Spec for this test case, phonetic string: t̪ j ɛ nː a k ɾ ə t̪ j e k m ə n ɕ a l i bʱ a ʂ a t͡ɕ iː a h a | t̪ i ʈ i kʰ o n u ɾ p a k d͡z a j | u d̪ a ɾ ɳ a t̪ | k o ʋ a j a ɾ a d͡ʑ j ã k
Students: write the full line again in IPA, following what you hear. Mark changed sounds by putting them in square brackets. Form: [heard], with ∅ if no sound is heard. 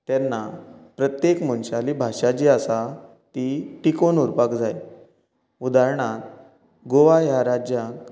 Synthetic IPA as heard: t̪ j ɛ nː a [p] ɾ ə t̪ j e k m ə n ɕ a l i bʱ a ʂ a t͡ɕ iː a [s] a | t̪ i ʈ i [k] o n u ɾ p a k d͡z a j | u d̪ a ɾ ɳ a t̪ | [ɡ] o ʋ a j a ɾ a d͡ʑ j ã k

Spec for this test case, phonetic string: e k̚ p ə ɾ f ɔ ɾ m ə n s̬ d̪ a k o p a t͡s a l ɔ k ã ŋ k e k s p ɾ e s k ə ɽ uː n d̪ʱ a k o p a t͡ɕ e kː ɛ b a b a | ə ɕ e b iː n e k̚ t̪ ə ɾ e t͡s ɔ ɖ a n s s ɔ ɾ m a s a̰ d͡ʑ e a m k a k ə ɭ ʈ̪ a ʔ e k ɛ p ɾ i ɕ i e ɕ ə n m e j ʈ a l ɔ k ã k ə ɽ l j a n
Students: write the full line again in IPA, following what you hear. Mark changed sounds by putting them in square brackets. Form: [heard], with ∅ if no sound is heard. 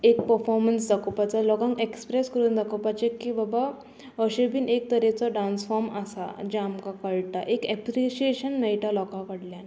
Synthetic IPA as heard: e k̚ p ə ɾ f ɔ ɾ m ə n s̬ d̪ a k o p a t͡s a l ɔ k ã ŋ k e k s p ɾ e s k ə [ɾ] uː n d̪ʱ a k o p a t͡ɕ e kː [i] b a b a | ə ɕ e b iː n e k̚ t̪ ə ɾ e t͡s ɔ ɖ a n s [f] ɔ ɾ m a s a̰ d͡ʑ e a m k a k ə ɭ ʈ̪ a ʔ e k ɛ p ɾ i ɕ i e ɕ ə n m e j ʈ a l ɔ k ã k ə ɽ l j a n

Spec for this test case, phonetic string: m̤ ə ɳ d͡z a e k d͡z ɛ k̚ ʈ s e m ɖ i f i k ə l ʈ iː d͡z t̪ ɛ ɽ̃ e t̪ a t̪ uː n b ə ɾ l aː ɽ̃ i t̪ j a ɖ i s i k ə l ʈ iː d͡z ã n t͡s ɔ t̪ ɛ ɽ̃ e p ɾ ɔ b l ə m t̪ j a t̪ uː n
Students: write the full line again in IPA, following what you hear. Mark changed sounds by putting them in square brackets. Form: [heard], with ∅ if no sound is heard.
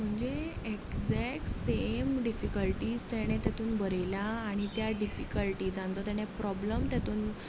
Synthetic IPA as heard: m̤ ə ɳ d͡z [e] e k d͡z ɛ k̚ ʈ s e m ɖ i f i k ə l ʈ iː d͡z t̪ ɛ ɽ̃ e t̪ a t̪ uː n b ə ɾ l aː ɽ̃ i t̪ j a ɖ i [f] i k ə l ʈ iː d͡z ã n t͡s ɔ t̪ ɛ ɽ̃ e p ɾ ɔ b l ə m t̪ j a t̪ uː n

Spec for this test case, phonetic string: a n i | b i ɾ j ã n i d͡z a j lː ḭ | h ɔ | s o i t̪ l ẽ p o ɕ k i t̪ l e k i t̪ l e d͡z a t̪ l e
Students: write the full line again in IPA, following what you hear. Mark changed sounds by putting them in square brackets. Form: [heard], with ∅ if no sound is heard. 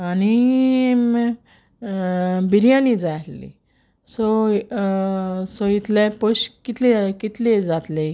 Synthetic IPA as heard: a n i | b i ɾ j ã n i d͡z a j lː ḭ | [s] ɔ | s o i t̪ l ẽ p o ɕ k i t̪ l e k i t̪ l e d͡z a t̪ l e

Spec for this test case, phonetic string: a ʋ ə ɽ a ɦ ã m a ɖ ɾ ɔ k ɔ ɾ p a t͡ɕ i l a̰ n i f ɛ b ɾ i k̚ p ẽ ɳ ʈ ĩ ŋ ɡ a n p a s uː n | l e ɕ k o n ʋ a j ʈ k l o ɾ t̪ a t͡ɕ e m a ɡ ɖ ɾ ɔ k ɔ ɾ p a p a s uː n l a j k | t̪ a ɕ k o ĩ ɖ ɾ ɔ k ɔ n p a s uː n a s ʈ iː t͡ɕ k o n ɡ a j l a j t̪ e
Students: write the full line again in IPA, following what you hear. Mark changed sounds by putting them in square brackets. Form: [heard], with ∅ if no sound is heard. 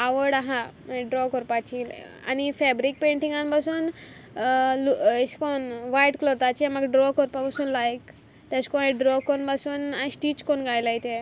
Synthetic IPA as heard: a ʋ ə ɽ a ɦ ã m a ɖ ɾ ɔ k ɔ ɾ p a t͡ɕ i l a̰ n i f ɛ b ɾ i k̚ p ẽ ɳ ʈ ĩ ŋ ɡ a n p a s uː n | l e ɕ k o n ʋ a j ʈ k l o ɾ t̪ a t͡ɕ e m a ɡ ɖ ɾ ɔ k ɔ ɾ p a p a s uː n l a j k | t̪ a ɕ k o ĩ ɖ ɾ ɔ k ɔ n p a s uː n a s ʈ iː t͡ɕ k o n ɡ a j l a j t̪ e

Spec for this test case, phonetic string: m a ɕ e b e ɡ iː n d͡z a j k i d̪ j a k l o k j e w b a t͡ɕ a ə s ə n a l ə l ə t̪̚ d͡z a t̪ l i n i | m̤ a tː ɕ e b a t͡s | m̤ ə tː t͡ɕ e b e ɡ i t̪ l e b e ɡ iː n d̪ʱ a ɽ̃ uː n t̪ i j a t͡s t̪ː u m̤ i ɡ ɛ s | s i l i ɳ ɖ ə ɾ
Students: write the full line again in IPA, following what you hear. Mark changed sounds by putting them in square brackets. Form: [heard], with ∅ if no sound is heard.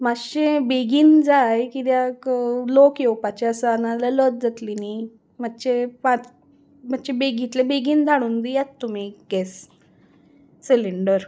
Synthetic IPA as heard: m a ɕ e b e ɡ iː n d͡z a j k i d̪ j a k l o k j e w [p] a t͡ɕ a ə s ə n a l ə l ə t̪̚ d͡z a t̪ l i n i | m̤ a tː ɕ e [p] a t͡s | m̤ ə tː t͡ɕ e b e ɡ i t̪ l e b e ɡ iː n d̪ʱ a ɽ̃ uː n [d̪] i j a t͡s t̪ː u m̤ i ɡ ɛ s | s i l i ɳ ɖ ə ɾ

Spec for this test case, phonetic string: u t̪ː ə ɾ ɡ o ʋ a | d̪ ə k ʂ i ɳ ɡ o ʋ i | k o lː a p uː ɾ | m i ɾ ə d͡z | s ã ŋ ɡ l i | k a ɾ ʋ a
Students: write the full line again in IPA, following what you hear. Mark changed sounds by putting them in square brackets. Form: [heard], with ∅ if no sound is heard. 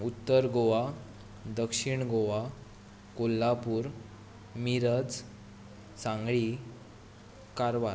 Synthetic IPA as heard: u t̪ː ə ɾ ɡ o ʋ a | d̪ ə k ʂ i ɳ ɡ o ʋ [a] | k o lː a p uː ɾ | m i ɾ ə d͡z | s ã ŋ ɡ [ɭ] i | k a ɾ ʋ a

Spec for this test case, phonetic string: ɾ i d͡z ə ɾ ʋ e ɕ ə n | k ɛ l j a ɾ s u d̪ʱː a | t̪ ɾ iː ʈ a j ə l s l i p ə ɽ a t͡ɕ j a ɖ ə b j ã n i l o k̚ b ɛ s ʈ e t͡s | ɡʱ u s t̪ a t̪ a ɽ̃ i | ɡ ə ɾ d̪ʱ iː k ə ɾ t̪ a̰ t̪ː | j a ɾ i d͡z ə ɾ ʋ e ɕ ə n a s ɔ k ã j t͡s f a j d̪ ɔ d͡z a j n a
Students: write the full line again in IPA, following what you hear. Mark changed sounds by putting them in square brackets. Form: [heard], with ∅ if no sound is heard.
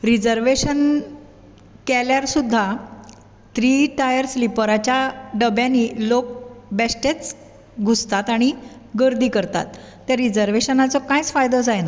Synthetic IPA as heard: ɾ i d͡z ə ɾ ʋ e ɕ ə n | k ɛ l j a ɾ s u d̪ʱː a | t̪ ɾ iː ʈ a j ə [ɾ] s l i p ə [ɾ] a t͡ɕ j a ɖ ə b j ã n i l o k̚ b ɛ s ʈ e t͡s | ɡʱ u s t̪ a t̪ a ɽ̃ i | ɡ ə ɾ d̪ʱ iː k ə ɾ t̪ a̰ t̪ː | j a ɾ i d͡z ə ɾ ʋ e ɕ ə n a [t͡s] ɔ k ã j t͡s f a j d̪ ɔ d͡z a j n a

